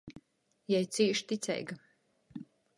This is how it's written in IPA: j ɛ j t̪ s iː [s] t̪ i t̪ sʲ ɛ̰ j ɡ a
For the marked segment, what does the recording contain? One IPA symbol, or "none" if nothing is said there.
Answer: ʃ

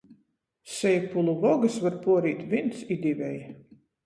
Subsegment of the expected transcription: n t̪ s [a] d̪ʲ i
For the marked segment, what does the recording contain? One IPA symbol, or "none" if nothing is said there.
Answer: i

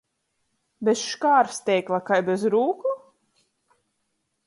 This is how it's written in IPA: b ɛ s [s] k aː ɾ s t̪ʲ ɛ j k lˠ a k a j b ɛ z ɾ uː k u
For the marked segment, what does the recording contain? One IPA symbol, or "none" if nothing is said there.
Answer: ʃ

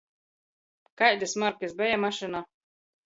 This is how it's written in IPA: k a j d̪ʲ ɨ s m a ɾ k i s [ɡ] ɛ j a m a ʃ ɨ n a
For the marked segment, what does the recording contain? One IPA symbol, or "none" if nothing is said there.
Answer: b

